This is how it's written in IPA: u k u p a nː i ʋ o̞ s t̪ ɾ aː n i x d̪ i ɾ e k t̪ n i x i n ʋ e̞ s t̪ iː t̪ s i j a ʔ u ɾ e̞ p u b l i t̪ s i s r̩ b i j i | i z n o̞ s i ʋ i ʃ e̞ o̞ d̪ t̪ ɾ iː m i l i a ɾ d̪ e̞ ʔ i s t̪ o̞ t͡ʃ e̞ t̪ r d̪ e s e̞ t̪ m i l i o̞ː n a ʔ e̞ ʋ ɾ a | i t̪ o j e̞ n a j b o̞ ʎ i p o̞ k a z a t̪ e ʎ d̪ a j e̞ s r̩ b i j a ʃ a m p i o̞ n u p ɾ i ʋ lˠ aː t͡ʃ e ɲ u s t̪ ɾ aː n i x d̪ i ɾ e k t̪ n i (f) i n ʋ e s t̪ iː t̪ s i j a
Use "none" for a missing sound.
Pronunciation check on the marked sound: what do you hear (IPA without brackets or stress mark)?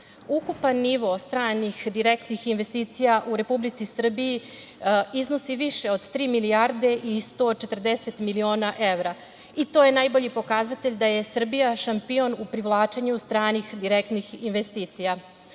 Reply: x